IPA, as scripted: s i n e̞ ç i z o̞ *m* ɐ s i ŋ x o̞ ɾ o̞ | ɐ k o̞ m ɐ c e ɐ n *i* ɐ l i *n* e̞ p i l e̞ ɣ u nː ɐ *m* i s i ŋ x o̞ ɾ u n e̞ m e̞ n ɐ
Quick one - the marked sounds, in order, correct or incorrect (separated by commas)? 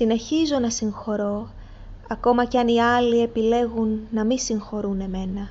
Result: incorrect, correct, incorrect, correct